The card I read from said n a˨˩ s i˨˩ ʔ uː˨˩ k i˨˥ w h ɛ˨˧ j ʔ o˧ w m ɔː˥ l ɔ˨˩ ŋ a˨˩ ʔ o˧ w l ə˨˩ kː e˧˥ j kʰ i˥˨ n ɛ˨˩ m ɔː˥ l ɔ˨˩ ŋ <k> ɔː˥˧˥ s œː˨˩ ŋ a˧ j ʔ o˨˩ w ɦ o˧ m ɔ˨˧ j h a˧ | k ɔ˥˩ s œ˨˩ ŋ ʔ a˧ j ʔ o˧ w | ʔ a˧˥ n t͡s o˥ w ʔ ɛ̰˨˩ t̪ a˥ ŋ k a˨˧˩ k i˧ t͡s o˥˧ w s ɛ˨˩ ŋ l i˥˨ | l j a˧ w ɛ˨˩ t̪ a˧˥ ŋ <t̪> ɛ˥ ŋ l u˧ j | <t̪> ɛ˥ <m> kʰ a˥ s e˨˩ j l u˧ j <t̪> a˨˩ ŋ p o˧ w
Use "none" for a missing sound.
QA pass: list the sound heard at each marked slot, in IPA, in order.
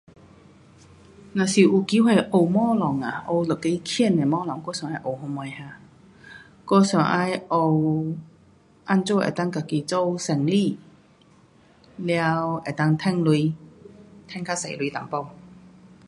k, t̪ʰ, t̪ʰ, ŋ, t̪

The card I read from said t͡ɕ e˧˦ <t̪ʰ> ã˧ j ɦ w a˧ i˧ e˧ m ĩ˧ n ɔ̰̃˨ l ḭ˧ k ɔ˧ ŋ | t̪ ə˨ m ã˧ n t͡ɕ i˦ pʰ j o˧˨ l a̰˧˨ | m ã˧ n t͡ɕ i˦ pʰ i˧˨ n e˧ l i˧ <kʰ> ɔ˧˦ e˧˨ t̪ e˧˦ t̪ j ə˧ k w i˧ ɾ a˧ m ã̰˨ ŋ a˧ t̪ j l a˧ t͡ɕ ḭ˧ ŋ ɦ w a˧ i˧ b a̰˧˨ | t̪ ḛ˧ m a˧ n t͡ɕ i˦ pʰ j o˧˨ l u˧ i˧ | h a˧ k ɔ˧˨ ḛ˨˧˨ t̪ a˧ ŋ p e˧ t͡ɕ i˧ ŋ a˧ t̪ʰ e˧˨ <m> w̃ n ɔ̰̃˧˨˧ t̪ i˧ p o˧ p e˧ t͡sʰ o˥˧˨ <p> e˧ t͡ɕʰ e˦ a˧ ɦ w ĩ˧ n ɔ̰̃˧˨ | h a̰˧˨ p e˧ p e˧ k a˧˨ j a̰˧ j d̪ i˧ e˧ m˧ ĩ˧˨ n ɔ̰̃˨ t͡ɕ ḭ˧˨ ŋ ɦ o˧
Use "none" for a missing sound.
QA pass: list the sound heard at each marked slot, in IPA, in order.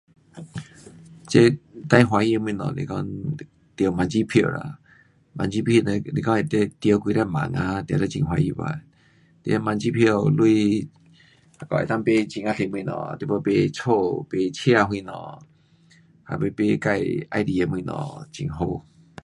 t̪, k, m, p

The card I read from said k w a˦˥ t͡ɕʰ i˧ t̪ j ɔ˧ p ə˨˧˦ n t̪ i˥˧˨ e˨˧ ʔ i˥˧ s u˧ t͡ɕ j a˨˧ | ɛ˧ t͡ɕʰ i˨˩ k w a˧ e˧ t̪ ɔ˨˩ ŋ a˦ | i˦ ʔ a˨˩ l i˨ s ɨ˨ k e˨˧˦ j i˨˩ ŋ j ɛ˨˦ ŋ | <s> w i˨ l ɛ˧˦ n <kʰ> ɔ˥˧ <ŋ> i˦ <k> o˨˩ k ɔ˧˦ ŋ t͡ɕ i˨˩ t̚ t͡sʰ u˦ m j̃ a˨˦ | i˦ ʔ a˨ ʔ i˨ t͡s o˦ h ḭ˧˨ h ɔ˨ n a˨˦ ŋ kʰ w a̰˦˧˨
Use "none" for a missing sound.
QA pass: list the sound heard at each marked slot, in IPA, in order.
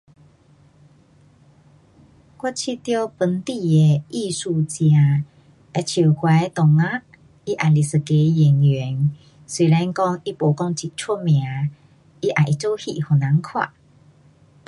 s, k, ŋ, p

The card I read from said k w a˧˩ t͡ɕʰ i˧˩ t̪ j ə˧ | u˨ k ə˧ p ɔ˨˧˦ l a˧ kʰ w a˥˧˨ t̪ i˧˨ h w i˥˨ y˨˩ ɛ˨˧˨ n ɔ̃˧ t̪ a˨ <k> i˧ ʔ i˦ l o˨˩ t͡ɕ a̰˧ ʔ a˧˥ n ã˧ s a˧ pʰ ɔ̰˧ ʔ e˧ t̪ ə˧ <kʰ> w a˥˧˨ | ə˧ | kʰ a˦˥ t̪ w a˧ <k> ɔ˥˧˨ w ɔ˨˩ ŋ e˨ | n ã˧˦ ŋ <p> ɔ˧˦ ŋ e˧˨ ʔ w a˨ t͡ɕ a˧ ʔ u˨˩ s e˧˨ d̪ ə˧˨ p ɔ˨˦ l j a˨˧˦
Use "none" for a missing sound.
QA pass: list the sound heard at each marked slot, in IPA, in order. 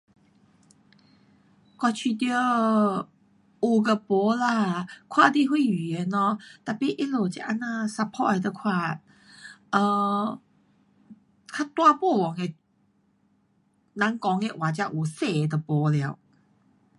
p, kʰ, p, k

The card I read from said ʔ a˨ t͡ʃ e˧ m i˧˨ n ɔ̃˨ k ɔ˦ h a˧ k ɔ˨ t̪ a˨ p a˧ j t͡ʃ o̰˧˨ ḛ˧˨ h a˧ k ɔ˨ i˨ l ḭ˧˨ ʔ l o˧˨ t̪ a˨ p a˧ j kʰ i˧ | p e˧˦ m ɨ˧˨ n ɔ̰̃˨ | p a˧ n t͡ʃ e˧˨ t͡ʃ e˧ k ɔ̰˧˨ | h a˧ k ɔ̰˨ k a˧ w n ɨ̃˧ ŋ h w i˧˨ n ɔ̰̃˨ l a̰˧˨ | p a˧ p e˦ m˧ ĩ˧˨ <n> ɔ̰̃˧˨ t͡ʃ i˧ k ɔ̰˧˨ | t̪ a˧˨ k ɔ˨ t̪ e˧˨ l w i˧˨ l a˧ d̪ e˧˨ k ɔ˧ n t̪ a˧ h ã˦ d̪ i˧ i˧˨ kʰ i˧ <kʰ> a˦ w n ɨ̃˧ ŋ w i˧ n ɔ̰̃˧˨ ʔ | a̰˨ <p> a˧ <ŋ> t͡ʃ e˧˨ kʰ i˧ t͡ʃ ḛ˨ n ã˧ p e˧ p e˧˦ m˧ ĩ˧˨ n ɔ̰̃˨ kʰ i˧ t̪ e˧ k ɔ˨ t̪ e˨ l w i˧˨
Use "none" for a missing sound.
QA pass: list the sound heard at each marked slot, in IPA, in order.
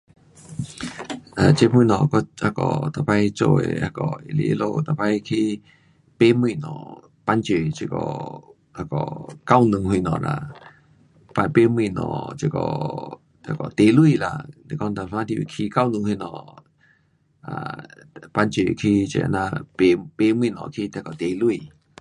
n, k, p, n

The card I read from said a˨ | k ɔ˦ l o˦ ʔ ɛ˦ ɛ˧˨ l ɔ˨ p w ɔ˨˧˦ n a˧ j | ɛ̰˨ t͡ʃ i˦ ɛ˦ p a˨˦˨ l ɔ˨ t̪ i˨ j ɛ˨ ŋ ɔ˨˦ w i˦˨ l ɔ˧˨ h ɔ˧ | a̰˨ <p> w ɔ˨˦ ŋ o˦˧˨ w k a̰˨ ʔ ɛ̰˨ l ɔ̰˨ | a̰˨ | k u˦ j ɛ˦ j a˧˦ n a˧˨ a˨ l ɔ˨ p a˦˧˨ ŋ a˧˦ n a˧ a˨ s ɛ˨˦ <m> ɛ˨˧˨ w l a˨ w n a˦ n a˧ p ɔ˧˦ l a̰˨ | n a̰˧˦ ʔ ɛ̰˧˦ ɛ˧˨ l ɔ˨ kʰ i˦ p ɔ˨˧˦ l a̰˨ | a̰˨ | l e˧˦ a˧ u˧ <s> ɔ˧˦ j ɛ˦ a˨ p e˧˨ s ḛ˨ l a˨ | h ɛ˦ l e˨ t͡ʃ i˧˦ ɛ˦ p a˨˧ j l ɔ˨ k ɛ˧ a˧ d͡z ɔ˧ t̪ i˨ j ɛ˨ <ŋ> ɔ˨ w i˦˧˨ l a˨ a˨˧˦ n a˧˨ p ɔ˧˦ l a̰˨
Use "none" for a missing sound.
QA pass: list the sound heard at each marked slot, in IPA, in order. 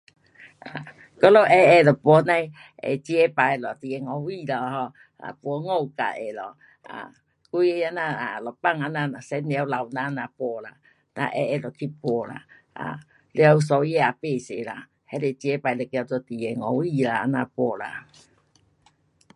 p, n, s, ŋ

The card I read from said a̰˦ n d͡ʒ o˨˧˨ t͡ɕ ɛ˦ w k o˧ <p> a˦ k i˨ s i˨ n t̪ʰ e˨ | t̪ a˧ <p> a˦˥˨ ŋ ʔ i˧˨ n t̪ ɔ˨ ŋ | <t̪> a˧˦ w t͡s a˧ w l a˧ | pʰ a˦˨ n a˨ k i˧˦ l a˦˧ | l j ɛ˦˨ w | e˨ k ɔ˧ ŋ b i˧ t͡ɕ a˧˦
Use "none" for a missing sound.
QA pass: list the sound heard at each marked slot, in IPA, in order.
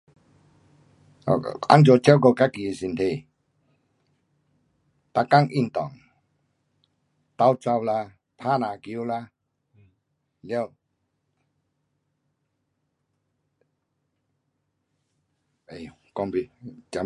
k, k, t̪

